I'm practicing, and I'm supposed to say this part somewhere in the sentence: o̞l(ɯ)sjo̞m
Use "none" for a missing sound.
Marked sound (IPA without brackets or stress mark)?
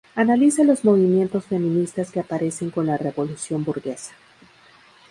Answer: u